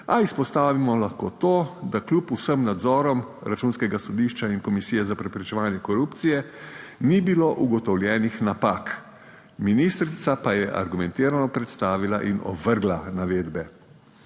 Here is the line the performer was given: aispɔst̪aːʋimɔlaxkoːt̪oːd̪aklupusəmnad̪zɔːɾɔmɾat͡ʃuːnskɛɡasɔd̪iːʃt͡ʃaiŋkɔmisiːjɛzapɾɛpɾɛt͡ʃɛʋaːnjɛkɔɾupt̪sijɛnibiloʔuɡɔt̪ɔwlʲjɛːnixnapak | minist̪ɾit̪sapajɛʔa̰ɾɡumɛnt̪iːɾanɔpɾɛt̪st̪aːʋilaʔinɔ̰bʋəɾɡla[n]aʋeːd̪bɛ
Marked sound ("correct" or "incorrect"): correct